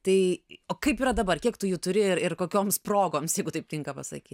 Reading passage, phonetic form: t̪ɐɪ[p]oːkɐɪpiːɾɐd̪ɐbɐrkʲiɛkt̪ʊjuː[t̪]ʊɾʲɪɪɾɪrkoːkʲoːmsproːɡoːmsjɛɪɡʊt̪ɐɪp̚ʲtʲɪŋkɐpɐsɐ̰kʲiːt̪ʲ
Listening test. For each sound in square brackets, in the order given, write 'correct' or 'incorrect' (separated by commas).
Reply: incorrect, correct